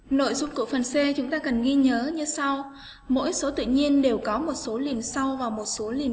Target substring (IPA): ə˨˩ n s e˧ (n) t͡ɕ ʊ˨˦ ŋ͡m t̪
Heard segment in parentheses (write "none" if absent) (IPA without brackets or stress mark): none